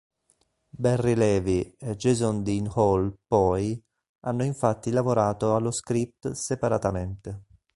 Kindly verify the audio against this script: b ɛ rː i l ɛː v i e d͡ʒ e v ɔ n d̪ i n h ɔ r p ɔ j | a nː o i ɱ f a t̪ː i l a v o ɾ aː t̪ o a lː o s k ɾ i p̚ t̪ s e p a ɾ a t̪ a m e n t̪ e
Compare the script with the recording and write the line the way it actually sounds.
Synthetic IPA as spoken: b ɛ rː i l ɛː v i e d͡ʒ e z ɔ n d̪ i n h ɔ l p ɔ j | a nː o i ɱ f a t̪ː i l a v o ɾ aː t̪ o a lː o s k ɾ i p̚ t̪ s e p a ɾ a t̪ a m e n t̪ e